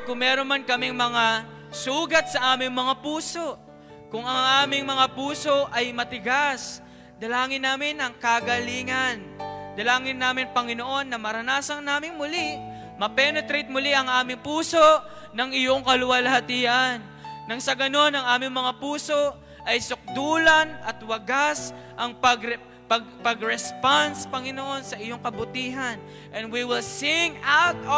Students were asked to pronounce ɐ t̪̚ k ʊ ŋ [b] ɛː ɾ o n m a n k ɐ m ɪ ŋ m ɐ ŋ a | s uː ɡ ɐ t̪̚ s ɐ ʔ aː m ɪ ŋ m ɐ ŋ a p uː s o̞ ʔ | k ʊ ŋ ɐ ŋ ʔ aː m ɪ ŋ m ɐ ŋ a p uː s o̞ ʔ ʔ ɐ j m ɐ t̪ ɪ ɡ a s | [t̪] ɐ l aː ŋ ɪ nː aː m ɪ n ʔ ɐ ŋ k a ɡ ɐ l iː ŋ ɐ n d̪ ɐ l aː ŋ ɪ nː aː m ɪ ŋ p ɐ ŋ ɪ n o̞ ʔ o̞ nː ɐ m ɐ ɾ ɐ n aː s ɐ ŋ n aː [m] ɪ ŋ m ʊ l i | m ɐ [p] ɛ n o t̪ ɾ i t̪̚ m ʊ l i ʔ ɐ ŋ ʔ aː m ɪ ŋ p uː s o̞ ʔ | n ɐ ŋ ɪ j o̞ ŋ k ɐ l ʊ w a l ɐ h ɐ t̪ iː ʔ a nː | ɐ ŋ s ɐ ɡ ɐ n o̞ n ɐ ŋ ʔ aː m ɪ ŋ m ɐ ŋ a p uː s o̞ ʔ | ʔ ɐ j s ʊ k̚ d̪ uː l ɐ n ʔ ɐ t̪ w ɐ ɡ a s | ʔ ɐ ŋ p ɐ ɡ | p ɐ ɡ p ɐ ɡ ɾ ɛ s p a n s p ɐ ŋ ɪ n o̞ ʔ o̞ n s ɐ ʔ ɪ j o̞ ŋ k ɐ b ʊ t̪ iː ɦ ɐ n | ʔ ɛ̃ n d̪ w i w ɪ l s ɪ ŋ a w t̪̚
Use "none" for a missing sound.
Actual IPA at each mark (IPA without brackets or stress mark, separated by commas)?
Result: m, d̪, m, p